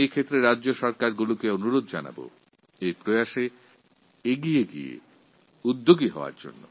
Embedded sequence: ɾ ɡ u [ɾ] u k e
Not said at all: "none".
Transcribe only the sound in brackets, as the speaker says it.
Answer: l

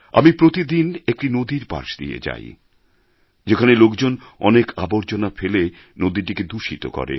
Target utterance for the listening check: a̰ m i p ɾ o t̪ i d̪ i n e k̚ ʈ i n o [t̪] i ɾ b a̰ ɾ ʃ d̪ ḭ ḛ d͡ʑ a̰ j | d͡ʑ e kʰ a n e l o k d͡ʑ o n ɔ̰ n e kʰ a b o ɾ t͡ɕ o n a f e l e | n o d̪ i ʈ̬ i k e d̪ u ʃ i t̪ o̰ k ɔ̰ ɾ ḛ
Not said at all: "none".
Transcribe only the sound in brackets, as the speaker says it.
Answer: d̪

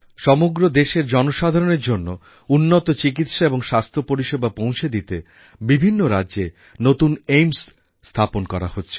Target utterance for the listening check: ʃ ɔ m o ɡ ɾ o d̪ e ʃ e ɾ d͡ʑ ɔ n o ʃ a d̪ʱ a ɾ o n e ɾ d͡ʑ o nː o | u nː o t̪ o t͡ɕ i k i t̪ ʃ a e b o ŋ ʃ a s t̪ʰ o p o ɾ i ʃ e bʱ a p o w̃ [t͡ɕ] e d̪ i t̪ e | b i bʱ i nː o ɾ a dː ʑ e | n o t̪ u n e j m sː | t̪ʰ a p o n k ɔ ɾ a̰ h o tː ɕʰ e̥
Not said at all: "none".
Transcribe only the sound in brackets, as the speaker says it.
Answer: t͡ɕʰ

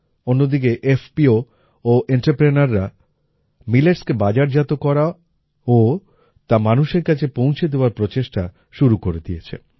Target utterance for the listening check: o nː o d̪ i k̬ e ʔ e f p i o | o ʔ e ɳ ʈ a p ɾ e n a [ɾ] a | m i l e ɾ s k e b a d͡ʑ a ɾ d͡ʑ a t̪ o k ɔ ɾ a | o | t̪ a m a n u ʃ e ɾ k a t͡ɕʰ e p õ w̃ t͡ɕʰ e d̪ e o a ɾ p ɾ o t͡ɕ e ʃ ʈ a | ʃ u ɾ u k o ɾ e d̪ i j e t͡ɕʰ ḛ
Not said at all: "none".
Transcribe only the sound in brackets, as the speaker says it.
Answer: ɾː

